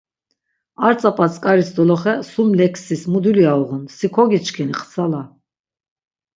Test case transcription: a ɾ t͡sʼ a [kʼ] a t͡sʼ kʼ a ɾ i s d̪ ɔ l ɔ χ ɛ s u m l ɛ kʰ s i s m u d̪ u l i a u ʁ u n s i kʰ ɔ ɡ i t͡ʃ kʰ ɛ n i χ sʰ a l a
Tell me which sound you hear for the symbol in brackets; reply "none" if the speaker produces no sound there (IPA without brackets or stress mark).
pʼ